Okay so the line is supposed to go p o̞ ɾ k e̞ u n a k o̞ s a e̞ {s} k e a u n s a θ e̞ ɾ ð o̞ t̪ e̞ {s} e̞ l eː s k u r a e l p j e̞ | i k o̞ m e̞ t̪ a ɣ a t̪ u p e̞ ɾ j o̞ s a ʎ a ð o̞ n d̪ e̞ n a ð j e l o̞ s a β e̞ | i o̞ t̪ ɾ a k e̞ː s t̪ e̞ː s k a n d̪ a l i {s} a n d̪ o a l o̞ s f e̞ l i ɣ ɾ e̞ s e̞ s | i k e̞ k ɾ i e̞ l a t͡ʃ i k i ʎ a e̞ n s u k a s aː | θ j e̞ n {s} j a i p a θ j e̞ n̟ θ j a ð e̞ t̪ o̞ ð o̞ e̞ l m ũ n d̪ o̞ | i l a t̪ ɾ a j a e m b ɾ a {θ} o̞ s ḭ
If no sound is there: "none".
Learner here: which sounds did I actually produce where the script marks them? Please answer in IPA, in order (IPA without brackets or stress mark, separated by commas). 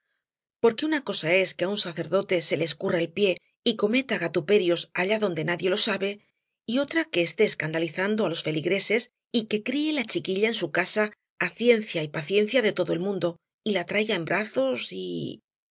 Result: s, s, θ, θ, θ